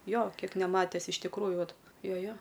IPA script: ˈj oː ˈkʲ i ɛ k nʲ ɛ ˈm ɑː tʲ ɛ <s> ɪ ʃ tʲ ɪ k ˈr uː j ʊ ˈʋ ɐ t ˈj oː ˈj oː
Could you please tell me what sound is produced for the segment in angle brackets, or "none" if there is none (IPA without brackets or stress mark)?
s